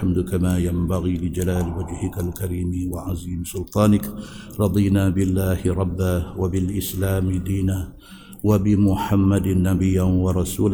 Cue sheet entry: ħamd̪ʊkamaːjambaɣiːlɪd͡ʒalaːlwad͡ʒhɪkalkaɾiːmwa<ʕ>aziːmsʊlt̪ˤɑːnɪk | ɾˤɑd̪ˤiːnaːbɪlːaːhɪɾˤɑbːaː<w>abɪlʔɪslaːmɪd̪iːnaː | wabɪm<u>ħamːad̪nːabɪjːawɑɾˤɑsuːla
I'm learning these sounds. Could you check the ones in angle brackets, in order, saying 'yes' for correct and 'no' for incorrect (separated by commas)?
yes, yes, no